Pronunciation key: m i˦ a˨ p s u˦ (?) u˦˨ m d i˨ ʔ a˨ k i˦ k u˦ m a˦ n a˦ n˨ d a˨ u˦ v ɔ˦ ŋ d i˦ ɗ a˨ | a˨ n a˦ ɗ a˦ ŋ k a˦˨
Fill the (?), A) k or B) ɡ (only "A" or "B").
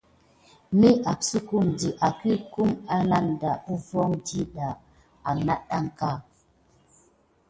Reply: A